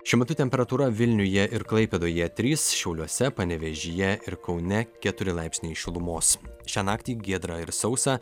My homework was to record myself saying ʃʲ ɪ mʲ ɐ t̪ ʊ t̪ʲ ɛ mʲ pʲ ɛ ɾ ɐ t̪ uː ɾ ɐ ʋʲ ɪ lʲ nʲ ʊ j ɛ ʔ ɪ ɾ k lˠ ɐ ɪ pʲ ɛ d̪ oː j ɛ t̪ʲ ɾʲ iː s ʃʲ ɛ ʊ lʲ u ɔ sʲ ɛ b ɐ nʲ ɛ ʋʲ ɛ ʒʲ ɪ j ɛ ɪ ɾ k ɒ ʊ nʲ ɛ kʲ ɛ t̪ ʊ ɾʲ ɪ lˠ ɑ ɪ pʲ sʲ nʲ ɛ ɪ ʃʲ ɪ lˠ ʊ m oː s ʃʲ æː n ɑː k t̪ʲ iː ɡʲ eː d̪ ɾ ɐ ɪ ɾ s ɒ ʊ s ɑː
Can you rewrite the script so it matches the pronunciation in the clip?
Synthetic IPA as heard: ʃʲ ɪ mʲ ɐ t̪ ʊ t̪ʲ ɛ mʲ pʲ ɛ ɾ ɐ t̪ uː ɾ ɐ ʋʲ ɪ lʲ nʲ ʊ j ɛ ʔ ɪ ɾ k lˠ ɐ ɪ pʲ ɛ d̪ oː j ɛ t̪ʲ ɾʲ iː s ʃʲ ɛ ʊ lʲ u ɔ sʲ ɛ p ɐ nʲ ɛ ʋʲ ɛ ʒʲ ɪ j ɛ ɪ ɾ k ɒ ʊ nʲ ɛ kʲ ɛ t̪ ʊ ɾʲ ɪ lˠ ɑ ɪ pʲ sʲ nʲ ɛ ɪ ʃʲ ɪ lˠ ʊ m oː s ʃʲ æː n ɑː k t̪ʲ iː ɡʲ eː d̪ ɾ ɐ ɪ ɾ s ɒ ʊ s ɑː